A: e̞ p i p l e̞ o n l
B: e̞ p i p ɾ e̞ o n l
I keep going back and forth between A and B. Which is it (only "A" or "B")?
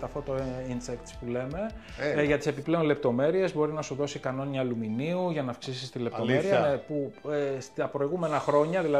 A